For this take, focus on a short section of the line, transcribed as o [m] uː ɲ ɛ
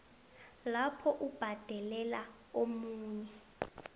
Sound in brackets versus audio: correct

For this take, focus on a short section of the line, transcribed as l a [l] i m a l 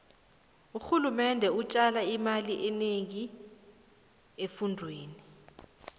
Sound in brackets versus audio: incorrect: none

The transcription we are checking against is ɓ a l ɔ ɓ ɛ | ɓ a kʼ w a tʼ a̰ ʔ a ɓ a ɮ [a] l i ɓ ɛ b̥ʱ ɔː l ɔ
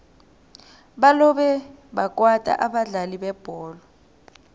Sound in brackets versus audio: correct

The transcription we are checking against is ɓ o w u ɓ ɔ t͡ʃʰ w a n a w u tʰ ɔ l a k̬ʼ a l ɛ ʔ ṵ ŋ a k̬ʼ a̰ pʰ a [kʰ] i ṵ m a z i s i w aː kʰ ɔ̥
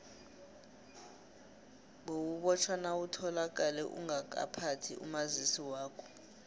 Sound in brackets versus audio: incorrect: tʰ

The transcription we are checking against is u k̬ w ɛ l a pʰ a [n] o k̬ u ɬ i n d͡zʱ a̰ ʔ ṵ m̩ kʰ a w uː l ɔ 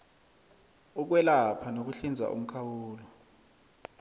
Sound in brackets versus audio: correct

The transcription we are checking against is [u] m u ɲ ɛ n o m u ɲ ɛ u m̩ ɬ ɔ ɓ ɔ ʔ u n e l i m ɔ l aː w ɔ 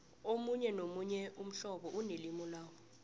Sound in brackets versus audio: incorrect: o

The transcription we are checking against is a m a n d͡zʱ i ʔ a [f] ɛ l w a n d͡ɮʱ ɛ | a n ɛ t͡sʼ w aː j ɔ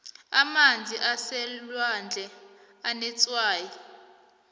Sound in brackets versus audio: incorrect: s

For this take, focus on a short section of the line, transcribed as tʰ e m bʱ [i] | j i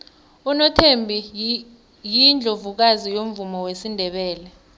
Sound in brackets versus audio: correct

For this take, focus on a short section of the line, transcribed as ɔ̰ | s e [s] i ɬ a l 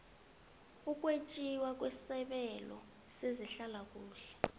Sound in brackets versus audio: incorrect: z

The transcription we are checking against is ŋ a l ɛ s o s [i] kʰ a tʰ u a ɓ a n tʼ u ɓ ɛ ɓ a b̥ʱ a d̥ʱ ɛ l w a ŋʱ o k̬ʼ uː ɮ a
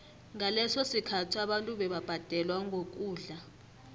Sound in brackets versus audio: correct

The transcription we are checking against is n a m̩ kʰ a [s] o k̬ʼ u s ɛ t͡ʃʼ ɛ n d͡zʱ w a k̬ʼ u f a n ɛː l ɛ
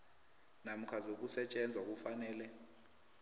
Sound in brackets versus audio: incorrect: z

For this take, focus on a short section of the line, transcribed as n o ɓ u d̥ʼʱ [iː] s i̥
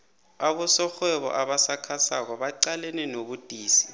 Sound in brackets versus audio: correct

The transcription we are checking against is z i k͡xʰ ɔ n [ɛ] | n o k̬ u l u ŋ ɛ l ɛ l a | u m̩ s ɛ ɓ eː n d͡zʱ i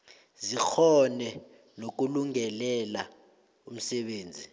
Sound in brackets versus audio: correct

